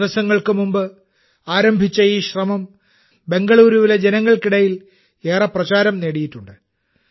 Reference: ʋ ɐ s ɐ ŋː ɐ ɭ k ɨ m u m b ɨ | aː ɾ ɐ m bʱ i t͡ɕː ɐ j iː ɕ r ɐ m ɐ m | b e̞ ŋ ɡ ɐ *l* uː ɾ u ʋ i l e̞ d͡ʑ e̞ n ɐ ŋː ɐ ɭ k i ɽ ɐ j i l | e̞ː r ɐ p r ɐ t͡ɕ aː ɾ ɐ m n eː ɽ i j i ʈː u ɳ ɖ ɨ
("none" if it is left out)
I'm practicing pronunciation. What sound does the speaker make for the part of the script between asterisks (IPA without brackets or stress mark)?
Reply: ɭ